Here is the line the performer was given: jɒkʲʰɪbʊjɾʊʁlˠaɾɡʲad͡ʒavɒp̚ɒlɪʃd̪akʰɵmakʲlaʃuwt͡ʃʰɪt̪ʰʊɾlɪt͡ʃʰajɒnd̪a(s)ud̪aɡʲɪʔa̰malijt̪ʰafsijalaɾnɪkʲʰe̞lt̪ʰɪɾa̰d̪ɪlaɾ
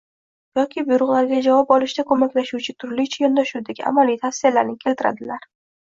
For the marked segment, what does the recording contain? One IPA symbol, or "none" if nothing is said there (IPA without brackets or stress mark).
ʃ